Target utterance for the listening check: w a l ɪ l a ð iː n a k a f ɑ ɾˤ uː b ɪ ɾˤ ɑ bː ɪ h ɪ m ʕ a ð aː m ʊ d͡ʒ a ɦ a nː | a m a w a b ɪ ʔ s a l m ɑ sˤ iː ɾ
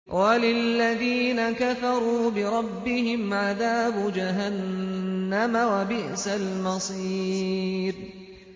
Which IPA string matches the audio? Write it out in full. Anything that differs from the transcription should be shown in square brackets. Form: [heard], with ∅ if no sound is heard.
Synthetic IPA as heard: w a l ɪ [lː] a ð iː n a k a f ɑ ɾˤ uː b ɪ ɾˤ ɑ bː ɪ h ɪ m ʕ a ð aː [b] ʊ d͡ʒ a ɦ a nː | a m a w a b ɪ ʔ s a l m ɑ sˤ iː ɾ